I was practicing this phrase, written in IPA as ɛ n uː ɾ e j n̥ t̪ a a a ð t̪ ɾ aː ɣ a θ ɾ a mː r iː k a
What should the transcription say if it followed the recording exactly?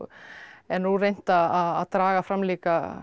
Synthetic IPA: ɛ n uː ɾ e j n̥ t̪ a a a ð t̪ ɾ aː ɣ a f ɾ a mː l iː k a